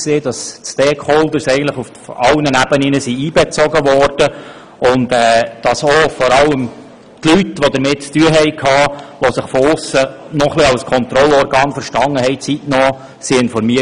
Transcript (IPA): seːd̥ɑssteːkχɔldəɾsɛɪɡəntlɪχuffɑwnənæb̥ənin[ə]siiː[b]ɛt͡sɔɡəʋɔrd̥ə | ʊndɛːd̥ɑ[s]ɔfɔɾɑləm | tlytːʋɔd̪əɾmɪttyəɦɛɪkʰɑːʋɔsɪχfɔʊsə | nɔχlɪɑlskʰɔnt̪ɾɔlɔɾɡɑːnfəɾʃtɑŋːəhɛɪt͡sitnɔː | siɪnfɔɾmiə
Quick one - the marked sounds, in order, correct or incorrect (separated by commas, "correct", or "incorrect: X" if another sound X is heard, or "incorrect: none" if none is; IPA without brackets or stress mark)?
correct, correct, correct